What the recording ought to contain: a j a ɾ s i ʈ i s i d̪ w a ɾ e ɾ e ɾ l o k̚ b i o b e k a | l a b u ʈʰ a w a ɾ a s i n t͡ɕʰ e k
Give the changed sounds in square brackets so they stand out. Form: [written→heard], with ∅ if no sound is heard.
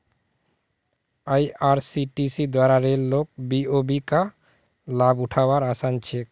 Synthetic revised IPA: a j a ɾ s i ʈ i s i d̪ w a ɾ [e→a] ɾ e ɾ l o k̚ b i o b [e→i] k a | l a b u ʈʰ a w a ɾ a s [i→a] n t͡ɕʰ e k